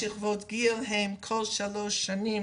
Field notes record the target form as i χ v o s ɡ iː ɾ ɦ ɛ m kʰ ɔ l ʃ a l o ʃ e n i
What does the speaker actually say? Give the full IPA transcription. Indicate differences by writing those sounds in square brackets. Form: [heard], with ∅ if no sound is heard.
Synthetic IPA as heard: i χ v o [t] ɡ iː [l] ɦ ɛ m kʰ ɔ l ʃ a l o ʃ [a] n i